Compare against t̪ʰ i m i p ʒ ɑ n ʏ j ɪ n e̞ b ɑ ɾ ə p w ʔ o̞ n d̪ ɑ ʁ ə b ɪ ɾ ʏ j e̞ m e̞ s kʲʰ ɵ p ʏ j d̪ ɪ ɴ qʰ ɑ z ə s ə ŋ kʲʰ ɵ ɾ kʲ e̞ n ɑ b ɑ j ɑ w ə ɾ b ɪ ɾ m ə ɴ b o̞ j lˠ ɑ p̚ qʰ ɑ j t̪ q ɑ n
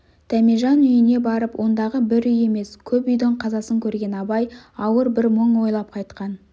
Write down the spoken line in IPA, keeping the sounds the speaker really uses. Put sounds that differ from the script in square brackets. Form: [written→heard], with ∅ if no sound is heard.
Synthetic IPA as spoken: t̪ʰ [i→æ] m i [p→∅] ʒ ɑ n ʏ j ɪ n e̞ b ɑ ɾ ə p w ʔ o̞ n d̪ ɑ ʁ ə b ɪ ɾ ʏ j e̞ m e̞ s kʲʰ ɵ p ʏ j d̪ ɪ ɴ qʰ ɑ z [ə→ɑ] s ə ŋ kʲʰ ɵ ɾ [kʲ→ɡʲ] e̞ n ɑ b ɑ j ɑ w ə ɾ b ɪ ɾ m ə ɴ [b→w] o̞ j lˠ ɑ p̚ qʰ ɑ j t̪ q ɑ n

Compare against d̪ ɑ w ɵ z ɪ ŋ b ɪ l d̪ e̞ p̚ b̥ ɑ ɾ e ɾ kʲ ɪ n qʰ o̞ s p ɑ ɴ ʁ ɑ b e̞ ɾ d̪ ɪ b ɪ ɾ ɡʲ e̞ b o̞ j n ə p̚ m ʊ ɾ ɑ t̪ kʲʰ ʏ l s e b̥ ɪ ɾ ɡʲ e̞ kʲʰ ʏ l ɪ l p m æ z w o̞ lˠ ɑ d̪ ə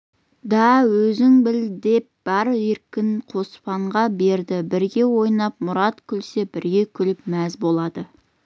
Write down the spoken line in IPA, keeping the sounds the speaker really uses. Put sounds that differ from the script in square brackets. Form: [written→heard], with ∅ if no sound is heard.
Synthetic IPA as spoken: d̪ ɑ w ɵ z ɪ ŋ b ɪ l d̪ e̞ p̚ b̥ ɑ ɾ e ɾ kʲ ɪ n qʰ o̞ s p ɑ ɴ ʁ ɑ b e̞ ɾ d̪ ɪ b ɪ ɾ ɡʲ e̞ [b→w] o̞ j n [ə→ɑ] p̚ m ʊ ɾ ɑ t̪ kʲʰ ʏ l s e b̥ ɪ ɾ ɡʲ e̞ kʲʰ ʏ l ɪ [l→∅] p m æ z [w→b] o̞ lˠ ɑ d̪ ə

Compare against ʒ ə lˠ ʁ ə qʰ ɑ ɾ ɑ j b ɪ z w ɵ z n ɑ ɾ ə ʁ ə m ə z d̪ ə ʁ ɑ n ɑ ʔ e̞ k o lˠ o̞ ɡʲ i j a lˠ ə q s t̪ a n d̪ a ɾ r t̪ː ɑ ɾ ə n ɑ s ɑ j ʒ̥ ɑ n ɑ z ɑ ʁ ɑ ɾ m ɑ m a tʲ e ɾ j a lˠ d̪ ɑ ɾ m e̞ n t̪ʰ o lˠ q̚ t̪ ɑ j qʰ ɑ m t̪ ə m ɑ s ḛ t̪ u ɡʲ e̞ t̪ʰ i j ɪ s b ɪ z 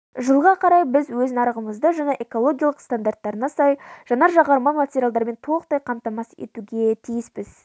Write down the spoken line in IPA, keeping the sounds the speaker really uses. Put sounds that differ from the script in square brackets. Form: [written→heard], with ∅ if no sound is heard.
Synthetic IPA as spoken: ʒ ə lˠ ʁ [ə→ɑ] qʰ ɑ ɾ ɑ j b ɪ z w ɵ z n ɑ ɾ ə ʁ ə m ə z d̪ ə [ʁ→ʒ] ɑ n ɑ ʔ e̞ k o lˠ o̞ ɡʲ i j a lˠ ə q s t̪ a n d̪ a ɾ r t̪ː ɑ ɾ ə n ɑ s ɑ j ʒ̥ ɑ n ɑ [z→ʒ] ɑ ʁ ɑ ɾ m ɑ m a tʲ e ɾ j a lˠ d̪ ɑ ɾ m e̞ n t̪ʰ o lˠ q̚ t̪ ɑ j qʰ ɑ m t̪ [ə→ɑ] m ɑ s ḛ t̪ u ɡʲ e̞ t̪ʰ i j ɪ s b ɪ z

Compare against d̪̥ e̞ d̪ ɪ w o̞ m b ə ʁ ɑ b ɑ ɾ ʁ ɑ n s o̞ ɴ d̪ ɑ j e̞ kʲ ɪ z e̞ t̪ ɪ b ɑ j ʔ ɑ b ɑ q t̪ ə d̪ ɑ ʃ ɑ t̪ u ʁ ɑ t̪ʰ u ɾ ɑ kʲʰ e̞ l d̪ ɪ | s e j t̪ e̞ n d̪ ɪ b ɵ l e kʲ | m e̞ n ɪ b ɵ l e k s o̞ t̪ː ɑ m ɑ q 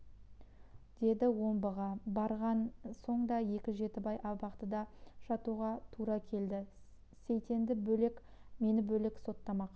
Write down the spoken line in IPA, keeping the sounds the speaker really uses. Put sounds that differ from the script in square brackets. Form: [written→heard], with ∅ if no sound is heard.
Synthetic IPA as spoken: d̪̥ e̞ d̪ ɪ w o̞ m b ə ʁ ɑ b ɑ ɾ ʁ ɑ n s o̞ ɴ d̪ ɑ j e̞ kʲ ɪ [z→ʒ] e̞ t̪ ɪ b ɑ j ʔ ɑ b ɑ q t̪ ə d̪ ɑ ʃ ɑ t̪ u ʁ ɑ t̪ʰ u ɾ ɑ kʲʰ e̞ l d̪ ɪ | s e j t̪ e̞ n d̪ ɪ b ɵ l e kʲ | m e̞ n ɪ b ɵ l e k s o̞ t̪ː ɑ m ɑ q

